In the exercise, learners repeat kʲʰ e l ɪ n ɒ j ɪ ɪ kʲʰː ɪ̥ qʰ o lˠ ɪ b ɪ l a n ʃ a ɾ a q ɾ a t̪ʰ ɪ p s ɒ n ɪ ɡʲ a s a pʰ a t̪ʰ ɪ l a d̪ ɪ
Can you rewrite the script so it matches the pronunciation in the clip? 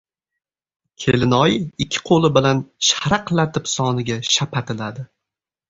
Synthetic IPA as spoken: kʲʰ e l ɪ n ɒ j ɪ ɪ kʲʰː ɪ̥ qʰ o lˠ ɪ b ɪ l a n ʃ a ɾ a q l a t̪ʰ ɪ p s ɒ n ɪ ɡʲ a ʃ a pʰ a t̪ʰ ɪ l a d̪ ɪ